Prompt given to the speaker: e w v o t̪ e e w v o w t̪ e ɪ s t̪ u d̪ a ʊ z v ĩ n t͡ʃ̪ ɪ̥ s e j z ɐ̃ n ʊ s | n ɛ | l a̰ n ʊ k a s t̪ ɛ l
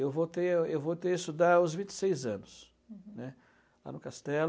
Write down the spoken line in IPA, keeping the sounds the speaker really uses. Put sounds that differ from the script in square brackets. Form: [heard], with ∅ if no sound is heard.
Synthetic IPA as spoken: e w v o t̪ e e w v o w t̪ e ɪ s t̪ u d̪ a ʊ z v ĩ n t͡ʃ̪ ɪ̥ s e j z ɐ̃ n ʊ s | n ɛ | l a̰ n ʊ k a s t̪ ɛ l